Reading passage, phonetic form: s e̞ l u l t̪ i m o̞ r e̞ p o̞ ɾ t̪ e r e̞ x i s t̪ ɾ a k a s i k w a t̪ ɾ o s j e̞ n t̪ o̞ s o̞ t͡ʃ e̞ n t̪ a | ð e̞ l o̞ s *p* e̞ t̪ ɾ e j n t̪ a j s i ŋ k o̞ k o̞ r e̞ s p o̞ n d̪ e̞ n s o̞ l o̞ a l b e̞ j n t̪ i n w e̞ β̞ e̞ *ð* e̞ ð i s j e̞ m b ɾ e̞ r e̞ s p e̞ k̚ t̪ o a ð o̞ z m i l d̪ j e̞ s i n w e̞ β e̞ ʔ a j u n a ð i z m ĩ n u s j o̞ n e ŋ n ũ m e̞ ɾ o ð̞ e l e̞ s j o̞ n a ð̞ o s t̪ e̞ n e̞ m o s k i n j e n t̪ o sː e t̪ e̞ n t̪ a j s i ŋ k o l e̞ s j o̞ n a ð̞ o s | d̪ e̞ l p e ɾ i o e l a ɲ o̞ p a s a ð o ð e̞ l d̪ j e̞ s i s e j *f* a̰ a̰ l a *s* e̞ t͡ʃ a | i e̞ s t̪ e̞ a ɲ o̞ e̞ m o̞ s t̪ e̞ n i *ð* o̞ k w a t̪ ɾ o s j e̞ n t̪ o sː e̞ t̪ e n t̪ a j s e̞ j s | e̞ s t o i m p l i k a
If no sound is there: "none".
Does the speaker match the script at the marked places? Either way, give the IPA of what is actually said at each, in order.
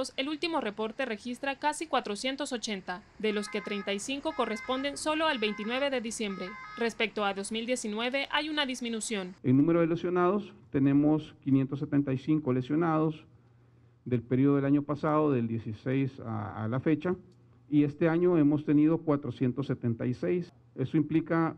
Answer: k, ð, s, f, ð

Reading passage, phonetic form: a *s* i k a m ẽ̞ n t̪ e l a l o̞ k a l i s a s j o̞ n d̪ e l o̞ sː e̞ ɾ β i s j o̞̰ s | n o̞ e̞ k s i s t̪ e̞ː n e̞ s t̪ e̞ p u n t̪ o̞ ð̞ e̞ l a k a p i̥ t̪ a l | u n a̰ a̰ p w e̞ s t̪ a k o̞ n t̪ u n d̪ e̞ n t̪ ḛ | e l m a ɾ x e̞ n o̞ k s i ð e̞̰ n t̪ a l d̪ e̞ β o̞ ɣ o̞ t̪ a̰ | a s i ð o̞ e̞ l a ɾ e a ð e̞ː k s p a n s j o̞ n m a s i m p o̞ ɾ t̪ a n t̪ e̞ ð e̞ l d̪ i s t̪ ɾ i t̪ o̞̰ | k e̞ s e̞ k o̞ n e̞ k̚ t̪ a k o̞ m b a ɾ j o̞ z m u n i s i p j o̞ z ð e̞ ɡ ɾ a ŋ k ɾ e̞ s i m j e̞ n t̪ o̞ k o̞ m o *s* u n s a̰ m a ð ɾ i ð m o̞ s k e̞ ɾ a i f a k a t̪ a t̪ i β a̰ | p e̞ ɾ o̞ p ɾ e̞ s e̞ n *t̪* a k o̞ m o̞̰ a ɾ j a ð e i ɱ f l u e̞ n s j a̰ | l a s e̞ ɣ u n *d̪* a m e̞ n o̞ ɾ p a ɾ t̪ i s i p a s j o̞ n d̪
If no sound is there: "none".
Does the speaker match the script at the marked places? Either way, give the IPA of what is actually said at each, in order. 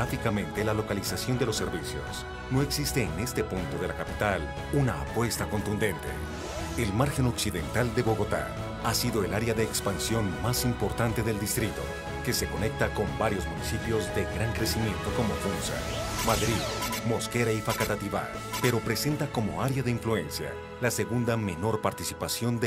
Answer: f, f, t̪, d̪

